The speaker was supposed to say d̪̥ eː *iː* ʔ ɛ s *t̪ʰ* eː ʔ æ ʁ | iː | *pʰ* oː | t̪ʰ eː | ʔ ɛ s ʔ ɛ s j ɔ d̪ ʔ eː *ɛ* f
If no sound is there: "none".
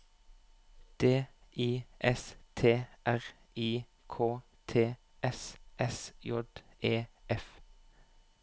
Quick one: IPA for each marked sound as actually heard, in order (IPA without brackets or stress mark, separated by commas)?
iː, t̪ʰ, kʰ, ɛ